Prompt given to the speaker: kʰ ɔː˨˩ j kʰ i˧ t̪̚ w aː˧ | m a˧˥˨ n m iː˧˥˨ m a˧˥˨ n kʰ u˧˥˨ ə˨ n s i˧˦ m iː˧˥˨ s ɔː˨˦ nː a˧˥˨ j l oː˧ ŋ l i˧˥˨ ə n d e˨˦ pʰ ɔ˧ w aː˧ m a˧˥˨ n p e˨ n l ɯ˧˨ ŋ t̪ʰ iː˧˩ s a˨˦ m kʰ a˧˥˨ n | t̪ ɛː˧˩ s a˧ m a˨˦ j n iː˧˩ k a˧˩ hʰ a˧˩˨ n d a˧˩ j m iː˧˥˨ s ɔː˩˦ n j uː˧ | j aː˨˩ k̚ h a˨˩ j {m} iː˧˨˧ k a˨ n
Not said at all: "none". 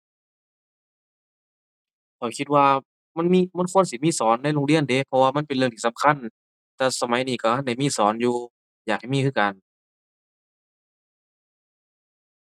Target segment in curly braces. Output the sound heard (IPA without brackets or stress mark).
m